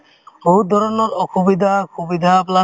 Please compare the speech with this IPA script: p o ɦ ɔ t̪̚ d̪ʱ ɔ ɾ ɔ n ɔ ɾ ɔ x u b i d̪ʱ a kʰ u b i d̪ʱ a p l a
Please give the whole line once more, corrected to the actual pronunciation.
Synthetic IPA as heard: b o ɦ u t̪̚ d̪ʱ ɔ ɾ ɔ n ɔ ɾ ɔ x u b i d̪ʱ a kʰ u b i d̪ʱ a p l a

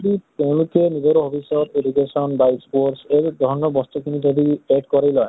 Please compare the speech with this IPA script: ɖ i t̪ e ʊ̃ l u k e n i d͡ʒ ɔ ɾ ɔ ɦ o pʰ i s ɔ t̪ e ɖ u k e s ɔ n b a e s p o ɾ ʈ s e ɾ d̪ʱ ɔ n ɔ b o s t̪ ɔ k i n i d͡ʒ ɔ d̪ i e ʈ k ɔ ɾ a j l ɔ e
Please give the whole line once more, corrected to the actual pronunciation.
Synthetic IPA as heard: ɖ i t̪ e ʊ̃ l u k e n i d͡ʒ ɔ ɾ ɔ ɦ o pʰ i s ɔ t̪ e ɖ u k e s ɔ n b a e s p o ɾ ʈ s e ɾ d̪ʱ ɔ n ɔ b ɔ s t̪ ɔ k i n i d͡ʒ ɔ d̪ i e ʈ k ɔ ɾ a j l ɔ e

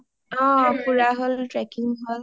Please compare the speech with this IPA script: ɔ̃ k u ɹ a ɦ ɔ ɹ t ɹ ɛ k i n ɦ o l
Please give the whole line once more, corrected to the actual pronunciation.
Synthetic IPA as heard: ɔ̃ p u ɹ a ɦ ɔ l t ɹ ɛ k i ŋ ɦ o l

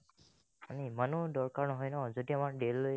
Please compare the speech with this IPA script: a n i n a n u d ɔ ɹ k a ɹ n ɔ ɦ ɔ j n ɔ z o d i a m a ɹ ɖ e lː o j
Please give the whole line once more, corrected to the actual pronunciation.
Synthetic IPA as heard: a n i m a n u d ɔ ɹ k a ɹ n ɔ ɦ ɔ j n ɔ z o d i a m a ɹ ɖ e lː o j

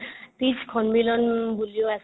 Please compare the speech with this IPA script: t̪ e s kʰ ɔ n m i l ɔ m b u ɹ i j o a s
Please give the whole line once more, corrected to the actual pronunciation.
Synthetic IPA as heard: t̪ i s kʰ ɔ n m i l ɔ n b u l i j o a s

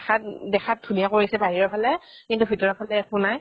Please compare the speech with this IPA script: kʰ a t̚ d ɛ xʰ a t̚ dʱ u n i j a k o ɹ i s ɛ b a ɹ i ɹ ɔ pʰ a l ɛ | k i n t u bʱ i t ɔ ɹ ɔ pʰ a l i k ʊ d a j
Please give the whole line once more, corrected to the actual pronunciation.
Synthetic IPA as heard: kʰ a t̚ d ɛ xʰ a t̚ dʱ u n i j a k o ɹ i s ɛ b a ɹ i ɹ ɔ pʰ a l ɛ | k i n t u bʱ i t ɔ ɹ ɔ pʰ a l ɛ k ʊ n a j

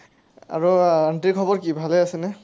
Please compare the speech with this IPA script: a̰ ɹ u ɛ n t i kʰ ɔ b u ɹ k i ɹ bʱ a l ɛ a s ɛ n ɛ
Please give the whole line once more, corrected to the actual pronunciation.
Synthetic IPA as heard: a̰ ɹ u a n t i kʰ ɔ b ɔ ɹ k i bʱ a l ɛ a s ɛ n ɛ

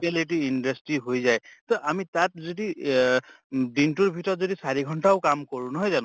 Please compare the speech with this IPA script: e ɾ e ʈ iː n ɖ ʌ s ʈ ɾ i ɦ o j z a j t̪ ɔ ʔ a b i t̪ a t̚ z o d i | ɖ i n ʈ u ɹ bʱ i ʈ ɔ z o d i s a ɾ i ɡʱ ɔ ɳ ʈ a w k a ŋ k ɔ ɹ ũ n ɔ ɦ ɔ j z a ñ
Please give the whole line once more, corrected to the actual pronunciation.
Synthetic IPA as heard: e l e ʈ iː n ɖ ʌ s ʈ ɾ i ɦ o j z a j t̪ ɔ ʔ a m i t̪ a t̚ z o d i | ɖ i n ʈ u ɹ bʱ i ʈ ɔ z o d i s a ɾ i ɡʱ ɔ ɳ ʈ a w k a m k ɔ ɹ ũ n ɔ ɦ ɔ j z a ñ

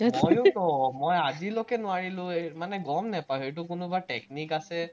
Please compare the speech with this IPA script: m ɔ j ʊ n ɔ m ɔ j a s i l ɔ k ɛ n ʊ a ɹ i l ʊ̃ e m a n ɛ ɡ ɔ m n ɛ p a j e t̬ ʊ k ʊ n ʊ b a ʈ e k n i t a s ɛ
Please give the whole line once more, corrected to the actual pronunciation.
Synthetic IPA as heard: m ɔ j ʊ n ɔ m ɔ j a z i l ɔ k ɛ n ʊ a ɹ i l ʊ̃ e m a n ɛ ɡ ɔ m n ɛ p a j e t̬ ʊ k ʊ n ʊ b a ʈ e k n i k a s ɛ

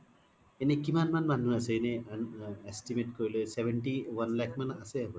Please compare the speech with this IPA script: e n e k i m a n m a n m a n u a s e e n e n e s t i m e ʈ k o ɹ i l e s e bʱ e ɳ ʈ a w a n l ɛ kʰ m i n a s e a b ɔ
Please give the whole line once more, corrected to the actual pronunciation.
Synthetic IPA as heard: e n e k i m a n m a n m a n u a s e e n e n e s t i m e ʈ k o ɹ i l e s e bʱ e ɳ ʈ i w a n l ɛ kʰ m a n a s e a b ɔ

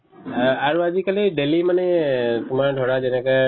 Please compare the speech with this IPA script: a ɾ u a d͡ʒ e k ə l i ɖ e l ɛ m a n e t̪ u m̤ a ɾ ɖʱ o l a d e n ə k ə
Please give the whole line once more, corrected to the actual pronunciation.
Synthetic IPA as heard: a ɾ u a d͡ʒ i k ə l i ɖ e l i m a n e t̪ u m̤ a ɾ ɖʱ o ɽ a d͡ʒ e n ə k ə

